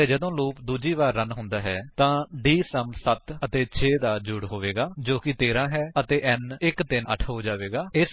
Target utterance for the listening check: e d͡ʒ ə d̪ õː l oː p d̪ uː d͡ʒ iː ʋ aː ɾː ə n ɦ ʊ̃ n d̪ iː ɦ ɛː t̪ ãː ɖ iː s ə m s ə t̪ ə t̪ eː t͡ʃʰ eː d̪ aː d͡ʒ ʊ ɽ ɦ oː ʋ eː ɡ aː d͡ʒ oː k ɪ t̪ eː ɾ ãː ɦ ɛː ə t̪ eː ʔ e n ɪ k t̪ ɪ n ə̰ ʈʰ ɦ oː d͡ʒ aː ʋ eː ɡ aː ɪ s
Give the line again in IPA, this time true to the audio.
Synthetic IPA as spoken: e d͡ʒ ə d̪ õː l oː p d̪ uː d͡ʒ iː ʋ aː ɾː ə n ɦ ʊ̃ n d̪ aː ɦ ɛː t̪ ãː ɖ iː s ə m s ə t̪ ə t̪ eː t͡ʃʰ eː d̪ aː d͡ʒ ʊ ɽ ɦ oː ʋ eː ɡ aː d͡ʒ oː k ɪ t̪ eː ɾ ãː ɦ ɛː ə t̪ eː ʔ ɛ n ɪ k t̪ ɪ n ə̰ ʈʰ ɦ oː d͡ʒ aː ʋ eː ɡ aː ɪ s

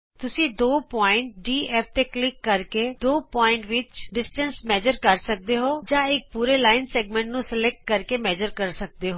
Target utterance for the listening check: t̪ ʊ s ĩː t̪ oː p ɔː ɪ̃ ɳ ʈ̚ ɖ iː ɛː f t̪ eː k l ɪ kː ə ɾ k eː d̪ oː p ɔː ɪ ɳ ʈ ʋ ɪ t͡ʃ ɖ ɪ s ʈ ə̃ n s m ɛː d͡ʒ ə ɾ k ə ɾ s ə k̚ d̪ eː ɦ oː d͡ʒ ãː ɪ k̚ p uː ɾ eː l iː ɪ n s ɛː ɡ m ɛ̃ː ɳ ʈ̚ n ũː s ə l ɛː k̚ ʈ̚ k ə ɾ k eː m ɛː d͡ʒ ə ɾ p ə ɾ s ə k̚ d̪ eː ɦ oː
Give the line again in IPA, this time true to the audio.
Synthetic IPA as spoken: t̪ ʊ s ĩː d̪ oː p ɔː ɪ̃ ɳ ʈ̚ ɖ iː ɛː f t̪ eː k l ɪ kː ə ɾ k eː d̪ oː p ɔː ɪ ɳ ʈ ʋ ɪ t͡ʃ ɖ ɪ s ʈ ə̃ n s m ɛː d͡ʒ ə ɾ k ə ɾ s ə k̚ d̪ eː ɦ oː d͡ʒ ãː ɪ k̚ p uː ɾ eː l aː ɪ n s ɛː ɡ m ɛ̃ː ɳ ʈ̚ n ũː s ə l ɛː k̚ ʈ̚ k ə ɾ k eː m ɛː d͡ʒ ə ɾ k ə ɾ s ə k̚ d̪ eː ɦ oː

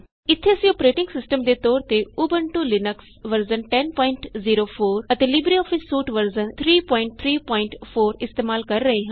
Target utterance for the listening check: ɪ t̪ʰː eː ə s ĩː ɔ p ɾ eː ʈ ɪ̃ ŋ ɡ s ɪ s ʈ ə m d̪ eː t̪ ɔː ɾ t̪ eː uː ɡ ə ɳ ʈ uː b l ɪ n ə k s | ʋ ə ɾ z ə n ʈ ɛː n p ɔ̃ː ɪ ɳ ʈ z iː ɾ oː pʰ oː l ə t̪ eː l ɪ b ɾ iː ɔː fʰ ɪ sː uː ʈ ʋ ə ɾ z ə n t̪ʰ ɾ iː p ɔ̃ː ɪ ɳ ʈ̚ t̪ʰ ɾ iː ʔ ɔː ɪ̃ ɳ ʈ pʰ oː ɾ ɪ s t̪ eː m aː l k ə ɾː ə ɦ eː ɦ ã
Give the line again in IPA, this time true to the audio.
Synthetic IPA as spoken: ɪ t̪ʰː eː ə s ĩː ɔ p ɾ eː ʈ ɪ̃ ŋ ɡ s ɪ s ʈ ə m d̪ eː t̪ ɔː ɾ t̪ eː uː b ə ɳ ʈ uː l ɪ n ə k s | ʋ ə ɾ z ə n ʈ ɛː n p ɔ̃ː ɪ ɳ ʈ z iː ɾ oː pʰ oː ɾ ə t̪ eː l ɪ b ɾ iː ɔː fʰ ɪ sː uː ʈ ʋ ə ɾ z ə n t̪ʰ ɾ iː p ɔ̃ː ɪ ɳ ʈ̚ t̪ʰ ɾ iː p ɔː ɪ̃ ɳ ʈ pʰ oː ɾ ɪ s t̪ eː m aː l k ə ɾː ə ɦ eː ɦ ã

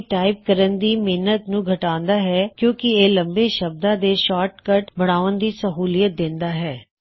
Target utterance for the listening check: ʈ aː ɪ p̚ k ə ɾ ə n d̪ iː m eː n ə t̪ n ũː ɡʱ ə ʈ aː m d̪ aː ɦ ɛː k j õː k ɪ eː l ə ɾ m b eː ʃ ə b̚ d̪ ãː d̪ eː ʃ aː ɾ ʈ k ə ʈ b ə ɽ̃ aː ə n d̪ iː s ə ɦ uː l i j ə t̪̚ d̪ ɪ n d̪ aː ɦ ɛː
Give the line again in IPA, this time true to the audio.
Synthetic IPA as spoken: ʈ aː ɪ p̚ k ə ɾ ə n d̪ iː m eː n ə t̪ n ũː ɡʱ ə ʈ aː n d̪ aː ɦ ɛː k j õː k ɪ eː l ə m b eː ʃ ə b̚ d̪ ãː d̪ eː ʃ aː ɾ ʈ k ə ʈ b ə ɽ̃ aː ə n d̪ iː s ə ɦ uː l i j ə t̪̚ d̪ ɪ n d̪ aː ɦ ɛː

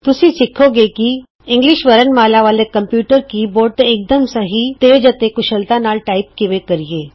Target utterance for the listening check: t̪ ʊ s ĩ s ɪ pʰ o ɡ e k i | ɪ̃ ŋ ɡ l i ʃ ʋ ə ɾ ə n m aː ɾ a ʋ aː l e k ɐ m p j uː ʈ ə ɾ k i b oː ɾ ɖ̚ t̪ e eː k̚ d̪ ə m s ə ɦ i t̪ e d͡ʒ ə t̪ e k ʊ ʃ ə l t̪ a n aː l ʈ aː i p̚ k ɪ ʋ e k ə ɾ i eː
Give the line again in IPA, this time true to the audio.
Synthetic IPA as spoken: t̪ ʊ s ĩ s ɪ kʰ o ɡ e k i | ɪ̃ ŋ ɡ l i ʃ ʋ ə ɾ ə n m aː l a ʋ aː l e k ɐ m p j uː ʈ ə ɾ k i b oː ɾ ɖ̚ t̪ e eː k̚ d̪ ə m s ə ɦ i t̪ e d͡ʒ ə t̪ e k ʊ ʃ ə l t̪ a n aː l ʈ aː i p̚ k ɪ ʋ e k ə ɾ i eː

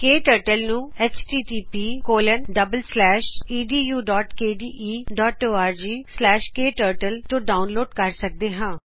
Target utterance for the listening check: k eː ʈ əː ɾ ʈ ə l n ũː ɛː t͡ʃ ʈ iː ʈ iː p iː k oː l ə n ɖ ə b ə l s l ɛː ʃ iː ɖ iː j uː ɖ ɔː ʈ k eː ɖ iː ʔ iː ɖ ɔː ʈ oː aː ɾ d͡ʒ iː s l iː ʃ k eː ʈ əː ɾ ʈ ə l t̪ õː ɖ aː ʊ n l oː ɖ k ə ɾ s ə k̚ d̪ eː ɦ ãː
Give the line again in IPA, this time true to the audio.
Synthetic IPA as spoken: k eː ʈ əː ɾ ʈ ə l n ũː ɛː t͡ʃ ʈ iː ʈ iː p iː k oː l ə n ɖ ə b ə l s l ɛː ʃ iː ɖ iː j uː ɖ ɔː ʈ k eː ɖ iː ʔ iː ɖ ɔː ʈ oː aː ɾ d͡ʒ iː s l ɛː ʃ k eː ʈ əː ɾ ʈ ə l t̪ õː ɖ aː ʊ n l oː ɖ k ə ɾ s ə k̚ d̪ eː ɦ ãː

